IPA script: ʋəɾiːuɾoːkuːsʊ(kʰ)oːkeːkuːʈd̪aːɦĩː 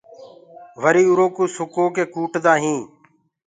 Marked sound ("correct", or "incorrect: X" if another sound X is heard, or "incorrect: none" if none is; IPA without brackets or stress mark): incorrect: k